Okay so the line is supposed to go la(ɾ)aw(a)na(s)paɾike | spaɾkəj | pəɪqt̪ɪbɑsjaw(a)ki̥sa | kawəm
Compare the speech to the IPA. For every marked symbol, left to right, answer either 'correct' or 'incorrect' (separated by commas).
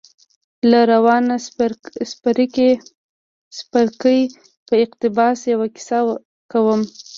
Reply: correct, incorrect, correct, correct